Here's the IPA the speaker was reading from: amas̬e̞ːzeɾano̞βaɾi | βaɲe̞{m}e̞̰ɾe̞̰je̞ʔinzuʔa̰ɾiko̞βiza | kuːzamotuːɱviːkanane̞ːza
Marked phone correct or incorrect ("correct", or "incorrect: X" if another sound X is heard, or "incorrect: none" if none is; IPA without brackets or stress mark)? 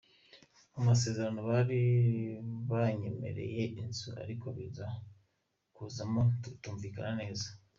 correct